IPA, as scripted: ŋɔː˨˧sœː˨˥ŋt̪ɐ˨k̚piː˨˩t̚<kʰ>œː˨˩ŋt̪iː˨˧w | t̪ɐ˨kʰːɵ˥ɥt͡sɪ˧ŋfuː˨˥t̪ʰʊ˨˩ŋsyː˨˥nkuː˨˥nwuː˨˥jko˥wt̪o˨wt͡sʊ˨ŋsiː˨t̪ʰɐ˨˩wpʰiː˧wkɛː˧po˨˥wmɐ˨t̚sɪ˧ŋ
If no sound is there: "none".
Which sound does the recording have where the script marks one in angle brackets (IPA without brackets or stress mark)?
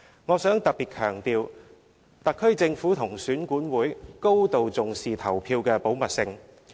kʰ